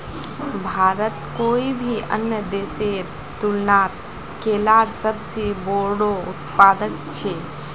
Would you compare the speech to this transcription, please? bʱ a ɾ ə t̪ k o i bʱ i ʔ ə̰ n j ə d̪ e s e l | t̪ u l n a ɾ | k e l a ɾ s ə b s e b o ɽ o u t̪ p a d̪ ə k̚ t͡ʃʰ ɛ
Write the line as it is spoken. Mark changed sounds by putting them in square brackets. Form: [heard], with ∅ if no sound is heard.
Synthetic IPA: bʱ a ɾ ə t̪ k o i bʱ i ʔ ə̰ n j ə d̪ e s e [ɾ] | t̪ u l n a ɾ | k e l a ɾ s ə b s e b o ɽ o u t̪ p a d̪ ə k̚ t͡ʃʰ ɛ